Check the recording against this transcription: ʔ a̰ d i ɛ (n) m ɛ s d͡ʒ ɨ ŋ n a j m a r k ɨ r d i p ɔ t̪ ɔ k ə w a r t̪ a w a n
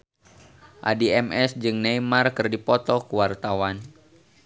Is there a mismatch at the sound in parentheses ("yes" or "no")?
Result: yes